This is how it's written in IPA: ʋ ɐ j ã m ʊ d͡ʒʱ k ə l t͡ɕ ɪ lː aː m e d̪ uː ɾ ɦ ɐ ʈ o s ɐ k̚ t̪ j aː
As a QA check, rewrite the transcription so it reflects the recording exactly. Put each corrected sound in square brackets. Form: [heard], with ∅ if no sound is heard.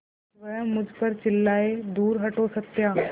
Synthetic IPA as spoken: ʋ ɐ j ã m ʊ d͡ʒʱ [p] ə [ɾ] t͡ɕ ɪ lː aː [∅] e d̪ uː ɾ ɦ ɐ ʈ o s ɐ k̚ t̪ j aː